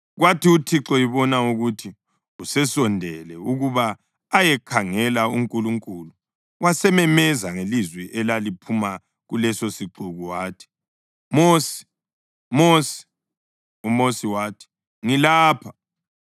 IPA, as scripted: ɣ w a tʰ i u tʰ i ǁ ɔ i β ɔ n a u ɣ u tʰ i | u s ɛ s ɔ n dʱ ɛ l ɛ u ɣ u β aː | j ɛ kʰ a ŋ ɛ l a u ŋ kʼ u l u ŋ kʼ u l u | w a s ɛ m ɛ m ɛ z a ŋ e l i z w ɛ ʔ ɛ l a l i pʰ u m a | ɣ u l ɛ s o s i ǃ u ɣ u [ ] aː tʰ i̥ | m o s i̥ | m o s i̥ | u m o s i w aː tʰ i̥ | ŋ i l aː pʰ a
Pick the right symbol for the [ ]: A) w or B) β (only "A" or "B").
A